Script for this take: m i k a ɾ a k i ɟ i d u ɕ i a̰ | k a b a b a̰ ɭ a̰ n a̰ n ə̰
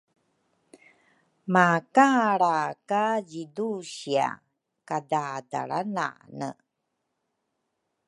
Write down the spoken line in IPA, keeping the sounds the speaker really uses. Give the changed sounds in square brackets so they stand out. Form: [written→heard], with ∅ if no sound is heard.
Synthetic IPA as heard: m [i→a] k a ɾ a k [i→a] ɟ i d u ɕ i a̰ | k a [b→d] a [b→d] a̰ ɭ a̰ n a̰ n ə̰